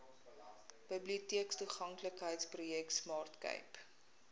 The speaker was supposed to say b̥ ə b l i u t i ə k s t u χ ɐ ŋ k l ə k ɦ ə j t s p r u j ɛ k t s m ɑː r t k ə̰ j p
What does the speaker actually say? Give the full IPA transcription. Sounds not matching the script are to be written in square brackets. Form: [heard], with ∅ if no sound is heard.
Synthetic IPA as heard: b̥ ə b l i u t i ə k s t u χ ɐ ŋ k l ə k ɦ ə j t s p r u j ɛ k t s m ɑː r t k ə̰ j p